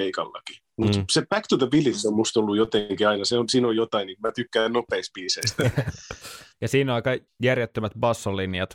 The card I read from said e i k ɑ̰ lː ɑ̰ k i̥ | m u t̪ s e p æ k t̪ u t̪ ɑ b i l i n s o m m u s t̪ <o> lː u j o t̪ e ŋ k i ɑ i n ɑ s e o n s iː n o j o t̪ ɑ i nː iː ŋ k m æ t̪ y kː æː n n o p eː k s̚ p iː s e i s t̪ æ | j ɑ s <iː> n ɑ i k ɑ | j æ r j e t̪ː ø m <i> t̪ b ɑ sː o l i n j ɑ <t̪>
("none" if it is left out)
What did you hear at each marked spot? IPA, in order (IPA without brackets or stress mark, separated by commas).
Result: o, iː, æ, t̪